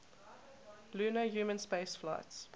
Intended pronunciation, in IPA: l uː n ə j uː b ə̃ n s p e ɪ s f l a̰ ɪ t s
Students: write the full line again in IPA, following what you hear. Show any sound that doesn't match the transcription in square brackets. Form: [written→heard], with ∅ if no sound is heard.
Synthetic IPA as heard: l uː n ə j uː [b→m] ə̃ n s p e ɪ s f l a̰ ɪ t s

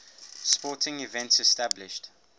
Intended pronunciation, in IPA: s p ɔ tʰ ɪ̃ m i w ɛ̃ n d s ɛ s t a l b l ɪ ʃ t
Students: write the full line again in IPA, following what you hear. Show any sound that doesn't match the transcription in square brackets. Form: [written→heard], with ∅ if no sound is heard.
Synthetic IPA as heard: s p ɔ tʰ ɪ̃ [m→ŋ] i [w→v] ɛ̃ n [d→t] s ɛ s t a [l→∅] b l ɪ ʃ t

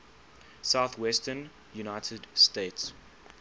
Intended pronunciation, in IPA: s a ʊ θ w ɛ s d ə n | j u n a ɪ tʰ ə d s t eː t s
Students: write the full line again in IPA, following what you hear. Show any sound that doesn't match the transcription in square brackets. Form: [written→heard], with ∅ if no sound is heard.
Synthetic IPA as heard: s a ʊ θ w ɛ s [d→t] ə n | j u n a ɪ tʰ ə d s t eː t s

